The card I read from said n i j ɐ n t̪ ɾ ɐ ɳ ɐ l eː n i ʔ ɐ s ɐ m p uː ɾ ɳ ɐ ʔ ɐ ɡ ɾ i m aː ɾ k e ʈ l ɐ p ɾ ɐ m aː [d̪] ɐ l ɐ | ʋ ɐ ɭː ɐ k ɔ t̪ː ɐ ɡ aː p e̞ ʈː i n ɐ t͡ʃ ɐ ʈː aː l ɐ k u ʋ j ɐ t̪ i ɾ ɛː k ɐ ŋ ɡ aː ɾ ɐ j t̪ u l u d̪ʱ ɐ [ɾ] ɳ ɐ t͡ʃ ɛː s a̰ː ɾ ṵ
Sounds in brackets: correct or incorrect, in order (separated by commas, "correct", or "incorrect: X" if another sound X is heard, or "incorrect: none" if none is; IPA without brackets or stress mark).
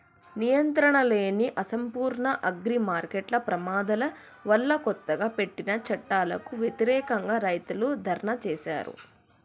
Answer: correct, correct